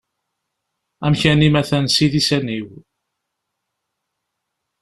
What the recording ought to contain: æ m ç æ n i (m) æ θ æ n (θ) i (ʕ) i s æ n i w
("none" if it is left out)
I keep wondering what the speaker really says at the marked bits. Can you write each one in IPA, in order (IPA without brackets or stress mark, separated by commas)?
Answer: m, s, ð